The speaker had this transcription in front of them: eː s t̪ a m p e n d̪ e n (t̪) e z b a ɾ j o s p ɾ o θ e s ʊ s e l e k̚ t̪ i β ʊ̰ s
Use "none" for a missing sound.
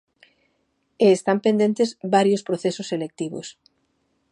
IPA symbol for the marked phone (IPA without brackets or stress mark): t̪